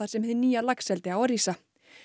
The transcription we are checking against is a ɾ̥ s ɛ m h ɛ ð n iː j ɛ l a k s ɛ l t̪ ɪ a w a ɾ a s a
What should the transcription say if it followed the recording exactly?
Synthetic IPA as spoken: a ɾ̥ s ɛ m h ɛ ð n iː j a l a k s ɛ l t̪ ɪ a w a ɾ i s a